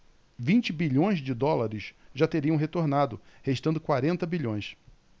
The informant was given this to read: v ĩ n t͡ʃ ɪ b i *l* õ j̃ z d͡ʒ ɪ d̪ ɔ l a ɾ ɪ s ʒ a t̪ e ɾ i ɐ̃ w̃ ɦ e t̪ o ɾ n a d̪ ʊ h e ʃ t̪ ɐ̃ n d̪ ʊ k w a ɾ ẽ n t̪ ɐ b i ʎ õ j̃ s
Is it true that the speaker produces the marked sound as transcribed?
no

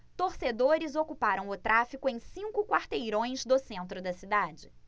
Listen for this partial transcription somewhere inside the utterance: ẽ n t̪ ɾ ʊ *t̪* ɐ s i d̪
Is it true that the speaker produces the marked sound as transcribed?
no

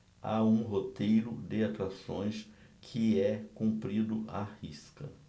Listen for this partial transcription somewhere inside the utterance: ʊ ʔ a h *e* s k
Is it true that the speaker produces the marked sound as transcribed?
no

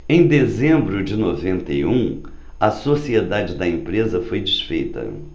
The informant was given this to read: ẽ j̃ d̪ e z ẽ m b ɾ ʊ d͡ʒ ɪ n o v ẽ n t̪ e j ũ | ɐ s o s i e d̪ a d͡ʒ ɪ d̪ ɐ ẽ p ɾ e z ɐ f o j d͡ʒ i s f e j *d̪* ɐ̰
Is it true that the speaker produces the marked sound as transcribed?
no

